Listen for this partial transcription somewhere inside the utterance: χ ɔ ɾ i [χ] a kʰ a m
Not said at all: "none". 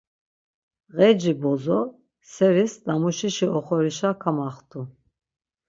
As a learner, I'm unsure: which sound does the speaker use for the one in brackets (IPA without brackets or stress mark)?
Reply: ʃ